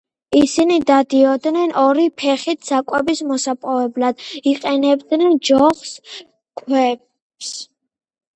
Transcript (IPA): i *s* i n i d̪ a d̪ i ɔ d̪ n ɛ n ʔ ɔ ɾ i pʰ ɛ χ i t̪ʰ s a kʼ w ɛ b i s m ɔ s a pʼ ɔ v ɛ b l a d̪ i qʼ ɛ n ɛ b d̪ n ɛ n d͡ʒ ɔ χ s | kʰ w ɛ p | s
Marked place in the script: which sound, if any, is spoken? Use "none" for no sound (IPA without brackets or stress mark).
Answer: s